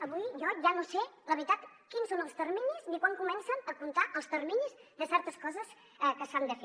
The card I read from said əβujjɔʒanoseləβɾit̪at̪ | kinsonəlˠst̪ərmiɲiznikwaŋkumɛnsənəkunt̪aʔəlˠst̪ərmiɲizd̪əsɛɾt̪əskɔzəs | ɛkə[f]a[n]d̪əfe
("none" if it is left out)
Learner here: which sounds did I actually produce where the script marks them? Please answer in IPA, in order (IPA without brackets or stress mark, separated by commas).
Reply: s, n